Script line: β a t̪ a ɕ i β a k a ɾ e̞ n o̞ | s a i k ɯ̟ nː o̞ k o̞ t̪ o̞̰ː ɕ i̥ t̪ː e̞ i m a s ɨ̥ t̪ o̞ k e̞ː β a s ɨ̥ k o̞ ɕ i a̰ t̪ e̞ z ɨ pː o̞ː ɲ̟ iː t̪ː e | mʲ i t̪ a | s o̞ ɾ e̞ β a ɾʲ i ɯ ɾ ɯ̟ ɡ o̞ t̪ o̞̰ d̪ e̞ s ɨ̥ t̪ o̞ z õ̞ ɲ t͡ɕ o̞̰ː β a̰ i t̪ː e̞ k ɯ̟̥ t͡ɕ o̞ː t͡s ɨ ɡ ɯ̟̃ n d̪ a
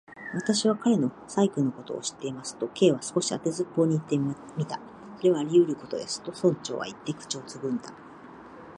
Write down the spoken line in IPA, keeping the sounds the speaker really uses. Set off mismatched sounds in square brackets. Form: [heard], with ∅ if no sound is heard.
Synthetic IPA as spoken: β a t̪ a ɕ i β a k a ɾ e̞ n o̞ | s a i k ɯ̟ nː o̞ k o̞ t̪ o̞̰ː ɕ i̥ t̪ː e̞ i m a s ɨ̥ t̪ o̞ k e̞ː β a s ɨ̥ k o̞ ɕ i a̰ t̪ e̞ z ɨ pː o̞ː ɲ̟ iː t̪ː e | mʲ i t̪ a | s o̞ ɾ e̞ β a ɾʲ i ɯ ɾ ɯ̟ [k] o̞ t̪ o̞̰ d̪ e̞ s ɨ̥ t̪ o̞ [s] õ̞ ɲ t͡ɕ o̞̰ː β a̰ i t̪ː e̞ k ɯ̟̥ t͡ɕ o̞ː t͡s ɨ ɡ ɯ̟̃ n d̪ a